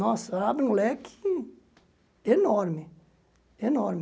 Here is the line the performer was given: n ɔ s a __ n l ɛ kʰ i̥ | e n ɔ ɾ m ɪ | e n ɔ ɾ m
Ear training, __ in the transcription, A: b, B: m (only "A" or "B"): A